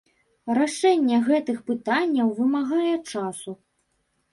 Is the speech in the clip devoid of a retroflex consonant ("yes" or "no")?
no